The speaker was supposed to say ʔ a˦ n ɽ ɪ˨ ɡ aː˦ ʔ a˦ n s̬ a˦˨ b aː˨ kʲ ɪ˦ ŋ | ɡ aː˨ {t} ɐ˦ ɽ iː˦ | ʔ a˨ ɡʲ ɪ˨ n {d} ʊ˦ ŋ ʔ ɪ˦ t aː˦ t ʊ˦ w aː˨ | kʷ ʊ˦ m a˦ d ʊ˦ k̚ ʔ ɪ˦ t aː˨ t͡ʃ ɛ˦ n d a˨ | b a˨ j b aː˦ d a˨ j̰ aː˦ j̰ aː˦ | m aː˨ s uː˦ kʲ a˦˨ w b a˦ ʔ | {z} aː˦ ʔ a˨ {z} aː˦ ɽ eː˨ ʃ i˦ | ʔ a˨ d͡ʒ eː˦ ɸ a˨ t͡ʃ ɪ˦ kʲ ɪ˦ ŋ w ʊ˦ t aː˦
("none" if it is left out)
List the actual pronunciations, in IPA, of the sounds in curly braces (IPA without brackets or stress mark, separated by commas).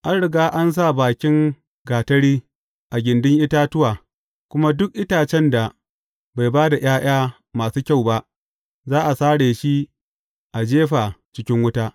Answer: t, d, z, s